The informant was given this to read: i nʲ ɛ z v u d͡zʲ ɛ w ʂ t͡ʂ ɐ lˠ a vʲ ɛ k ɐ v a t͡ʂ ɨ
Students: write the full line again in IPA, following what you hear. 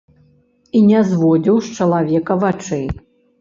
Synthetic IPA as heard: i nʲ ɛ z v ɔ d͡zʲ i w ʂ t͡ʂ ɐ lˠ a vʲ ɛ k ɐ v a t͡ʂ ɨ